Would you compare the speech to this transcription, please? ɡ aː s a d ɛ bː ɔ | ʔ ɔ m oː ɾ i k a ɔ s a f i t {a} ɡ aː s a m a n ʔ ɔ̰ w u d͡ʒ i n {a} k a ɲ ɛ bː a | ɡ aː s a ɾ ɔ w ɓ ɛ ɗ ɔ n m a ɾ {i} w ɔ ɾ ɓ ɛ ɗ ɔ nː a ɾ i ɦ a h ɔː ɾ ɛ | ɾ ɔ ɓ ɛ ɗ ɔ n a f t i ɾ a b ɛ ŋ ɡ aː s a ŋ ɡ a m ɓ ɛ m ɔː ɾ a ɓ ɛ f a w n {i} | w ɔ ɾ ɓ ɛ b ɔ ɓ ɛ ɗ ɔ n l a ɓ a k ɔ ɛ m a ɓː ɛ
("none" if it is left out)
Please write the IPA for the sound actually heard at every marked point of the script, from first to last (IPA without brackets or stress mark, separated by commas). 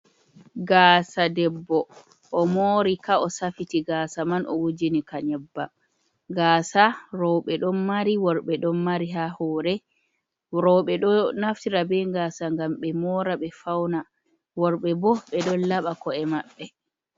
i, i, i, a